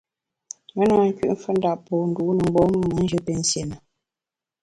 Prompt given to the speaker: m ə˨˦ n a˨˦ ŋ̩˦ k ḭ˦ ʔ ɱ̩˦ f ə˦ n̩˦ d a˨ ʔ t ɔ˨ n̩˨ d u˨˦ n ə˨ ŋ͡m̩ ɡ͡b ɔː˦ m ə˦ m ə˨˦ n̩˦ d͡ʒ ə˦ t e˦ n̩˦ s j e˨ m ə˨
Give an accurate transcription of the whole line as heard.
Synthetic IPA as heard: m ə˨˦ n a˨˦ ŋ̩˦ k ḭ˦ ʔ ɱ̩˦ f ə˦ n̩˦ d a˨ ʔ p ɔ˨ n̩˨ d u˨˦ n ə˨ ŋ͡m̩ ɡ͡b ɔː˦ m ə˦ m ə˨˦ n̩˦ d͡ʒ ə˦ p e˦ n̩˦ s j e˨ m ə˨